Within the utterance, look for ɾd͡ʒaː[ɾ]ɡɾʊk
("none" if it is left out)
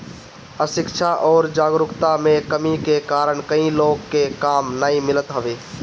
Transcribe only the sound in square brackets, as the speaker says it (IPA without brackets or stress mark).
none